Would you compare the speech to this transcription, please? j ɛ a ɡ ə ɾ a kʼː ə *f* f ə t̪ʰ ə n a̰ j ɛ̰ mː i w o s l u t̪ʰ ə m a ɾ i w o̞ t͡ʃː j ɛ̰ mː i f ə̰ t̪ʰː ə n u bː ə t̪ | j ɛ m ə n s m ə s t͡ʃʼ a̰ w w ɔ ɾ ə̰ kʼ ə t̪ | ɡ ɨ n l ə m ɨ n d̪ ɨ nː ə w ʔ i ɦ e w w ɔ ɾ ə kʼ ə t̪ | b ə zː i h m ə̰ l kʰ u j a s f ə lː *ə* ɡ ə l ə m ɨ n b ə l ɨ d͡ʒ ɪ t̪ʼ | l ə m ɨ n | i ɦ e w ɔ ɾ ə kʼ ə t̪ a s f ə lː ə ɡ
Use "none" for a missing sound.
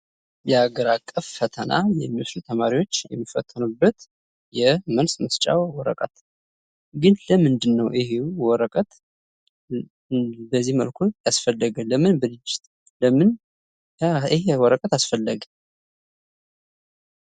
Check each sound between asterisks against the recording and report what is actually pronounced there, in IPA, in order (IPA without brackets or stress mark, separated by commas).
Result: f, ə